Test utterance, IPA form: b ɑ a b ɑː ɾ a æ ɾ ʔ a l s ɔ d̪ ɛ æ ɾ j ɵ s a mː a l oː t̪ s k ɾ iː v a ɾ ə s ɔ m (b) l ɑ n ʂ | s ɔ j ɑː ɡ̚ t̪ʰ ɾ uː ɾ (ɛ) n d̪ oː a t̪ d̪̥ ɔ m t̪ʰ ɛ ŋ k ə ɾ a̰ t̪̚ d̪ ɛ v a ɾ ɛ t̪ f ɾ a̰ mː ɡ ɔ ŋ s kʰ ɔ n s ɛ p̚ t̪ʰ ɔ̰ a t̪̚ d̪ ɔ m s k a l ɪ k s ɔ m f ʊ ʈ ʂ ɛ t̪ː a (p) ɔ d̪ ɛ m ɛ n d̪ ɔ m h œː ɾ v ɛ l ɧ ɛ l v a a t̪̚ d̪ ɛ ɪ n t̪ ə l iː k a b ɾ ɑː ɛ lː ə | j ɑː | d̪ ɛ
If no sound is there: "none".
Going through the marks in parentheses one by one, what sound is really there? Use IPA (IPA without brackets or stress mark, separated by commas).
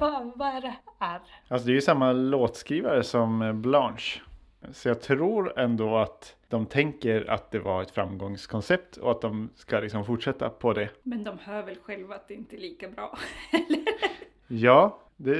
b, ɛ, pʰ